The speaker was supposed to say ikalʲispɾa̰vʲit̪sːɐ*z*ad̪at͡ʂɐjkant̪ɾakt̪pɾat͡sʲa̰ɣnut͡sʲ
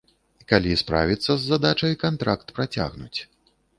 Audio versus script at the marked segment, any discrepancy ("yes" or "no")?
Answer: yes